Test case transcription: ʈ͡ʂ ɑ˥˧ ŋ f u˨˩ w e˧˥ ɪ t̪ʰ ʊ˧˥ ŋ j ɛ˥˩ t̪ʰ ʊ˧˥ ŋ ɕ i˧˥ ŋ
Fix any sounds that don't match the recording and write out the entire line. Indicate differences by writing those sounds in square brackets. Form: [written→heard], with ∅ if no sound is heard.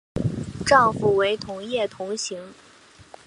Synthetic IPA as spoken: ʈ͡ʂ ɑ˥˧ ŋ f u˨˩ w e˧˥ ɪ t̪ʰ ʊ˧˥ ŋ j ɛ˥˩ t̪ʰ ʊ˧˥ ŋ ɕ i˧˥ ŋ